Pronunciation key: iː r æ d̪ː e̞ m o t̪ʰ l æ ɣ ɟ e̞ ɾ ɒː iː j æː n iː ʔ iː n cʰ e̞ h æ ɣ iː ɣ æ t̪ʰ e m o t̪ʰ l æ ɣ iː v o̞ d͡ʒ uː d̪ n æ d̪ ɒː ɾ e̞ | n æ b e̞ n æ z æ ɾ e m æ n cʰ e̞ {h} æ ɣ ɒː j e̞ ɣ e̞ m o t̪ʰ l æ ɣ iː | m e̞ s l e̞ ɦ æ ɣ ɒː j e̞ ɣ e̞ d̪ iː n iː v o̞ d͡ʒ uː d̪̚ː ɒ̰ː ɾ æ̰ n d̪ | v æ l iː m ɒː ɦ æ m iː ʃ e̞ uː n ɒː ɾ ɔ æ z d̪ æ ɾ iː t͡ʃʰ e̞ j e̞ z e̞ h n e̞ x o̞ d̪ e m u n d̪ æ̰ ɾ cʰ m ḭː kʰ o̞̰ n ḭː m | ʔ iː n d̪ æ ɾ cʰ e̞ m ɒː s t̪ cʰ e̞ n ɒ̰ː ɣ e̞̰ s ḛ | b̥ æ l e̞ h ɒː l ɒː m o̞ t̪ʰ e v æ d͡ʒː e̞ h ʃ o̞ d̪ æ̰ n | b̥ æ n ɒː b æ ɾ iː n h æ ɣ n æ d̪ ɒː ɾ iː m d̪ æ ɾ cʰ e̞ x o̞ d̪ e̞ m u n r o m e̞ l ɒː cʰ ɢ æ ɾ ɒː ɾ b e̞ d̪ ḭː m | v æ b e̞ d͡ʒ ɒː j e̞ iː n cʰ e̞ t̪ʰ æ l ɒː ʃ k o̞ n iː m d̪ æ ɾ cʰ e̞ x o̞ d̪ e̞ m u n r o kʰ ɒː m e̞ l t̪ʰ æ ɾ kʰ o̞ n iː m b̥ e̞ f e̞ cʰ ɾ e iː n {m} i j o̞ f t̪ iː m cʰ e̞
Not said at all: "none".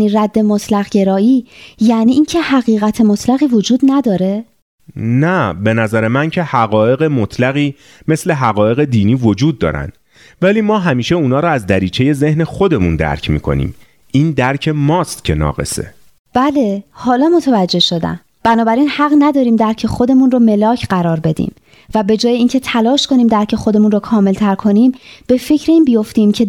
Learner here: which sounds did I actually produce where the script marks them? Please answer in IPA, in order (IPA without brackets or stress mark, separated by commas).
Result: h, b